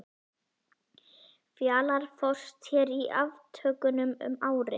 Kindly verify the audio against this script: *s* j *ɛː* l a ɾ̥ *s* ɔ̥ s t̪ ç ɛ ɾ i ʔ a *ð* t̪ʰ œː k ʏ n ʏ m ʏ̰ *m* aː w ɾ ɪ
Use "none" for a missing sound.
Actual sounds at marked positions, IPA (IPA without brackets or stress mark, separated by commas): f, aː, f, v, m